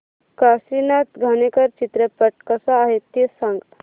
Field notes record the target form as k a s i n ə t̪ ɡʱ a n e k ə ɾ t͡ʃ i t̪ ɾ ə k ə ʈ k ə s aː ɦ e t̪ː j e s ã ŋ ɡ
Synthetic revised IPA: k a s i n a t̪ ɡʱ a n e k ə ɾ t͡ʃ i t̪ ɾ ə p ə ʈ k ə s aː ɦ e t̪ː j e s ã ŋ ɡ